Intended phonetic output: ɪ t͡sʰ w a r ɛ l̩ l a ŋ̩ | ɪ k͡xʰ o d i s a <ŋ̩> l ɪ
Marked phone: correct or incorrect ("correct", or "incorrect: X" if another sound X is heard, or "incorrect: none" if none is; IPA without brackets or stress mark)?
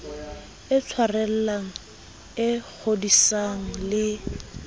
correct